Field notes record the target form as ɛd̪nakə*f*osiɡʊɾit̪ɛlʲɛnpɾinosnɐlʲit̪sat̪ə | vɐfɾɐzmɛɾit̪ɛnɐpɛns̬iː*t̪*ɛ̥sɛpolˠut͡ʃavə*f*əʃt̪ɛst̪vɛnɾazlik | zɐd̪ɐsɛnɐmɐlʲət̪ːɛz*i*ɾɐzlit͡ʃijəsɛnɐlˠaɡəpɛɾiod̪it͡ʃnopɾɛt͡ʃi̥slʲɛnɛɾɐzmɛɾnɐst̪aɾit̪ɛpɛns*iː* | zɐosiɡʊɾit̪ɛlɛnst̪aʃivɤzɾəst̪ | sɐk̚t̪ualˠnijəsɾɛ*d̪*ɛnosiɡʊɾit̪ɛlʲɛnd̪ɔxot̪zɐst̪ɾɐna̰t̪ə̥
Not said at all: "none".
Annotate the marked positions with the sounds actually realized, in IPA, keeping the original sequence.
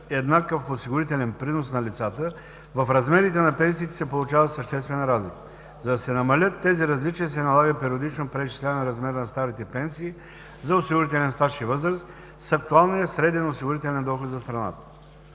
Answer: f, t̪, s, i, iː, d̪

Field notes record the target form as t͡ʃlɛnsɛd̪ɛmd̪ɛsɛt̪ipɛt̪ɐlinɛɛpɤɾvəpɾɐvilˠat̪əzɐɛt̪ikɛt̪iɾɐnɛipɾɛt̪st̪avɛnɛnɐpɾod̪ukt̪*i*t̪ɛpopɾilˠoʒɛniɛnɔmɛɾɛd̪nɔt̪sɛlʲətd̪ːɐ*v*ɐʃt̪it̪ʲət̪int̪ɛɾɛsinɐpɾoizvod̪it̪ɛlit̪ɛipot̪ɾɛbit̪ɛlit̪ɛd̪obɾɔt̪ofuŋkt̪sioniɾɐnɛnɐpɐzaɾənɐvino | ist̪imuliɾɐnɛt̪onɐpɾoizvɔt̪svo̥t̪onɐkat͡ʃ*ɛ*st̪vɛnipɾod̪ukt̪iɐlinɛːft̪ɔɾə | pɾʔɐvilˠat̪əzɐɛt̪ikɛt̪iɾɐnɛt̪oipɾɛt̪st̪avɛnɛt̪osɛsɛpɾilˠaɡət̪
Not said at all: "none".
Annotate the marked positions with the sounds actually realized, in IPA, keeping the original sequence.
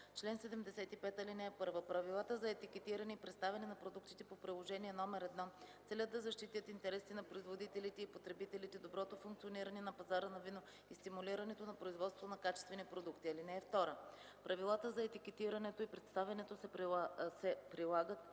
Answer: i, z, ɛ

